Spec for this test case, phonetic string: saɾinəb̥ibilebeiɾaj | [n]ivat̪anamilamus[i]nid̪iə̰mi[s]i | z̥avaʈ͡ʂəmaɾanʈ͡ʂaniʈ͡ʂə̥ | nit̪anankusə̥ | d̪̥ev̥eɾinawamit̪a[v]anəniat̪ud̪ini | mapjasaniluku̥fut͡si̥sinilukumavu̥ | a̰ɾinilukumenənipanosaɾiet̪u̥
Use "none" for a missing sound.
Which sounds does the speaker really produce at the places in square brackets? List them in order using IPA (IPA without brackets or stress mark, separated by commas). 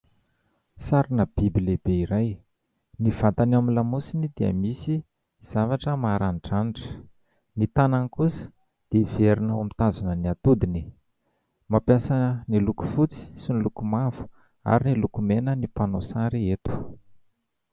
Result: n, i, s, z